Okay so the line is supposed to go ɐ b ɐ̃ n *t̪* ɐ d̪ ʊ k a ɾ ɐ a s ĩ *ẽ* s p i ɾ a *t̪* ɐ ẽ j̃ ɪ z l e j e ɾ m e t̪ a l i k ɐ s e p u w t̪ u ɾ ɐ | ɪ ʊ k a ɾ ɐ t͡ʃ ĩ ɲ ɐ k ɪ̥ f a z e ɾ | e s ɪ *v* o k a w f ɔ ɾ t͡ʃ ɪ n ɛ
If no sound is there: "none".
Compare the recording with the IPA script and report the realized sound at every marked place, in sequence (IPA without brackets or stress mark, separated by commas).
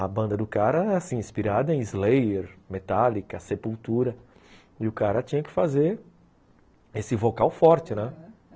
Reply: d̪, ĩ, d̪, v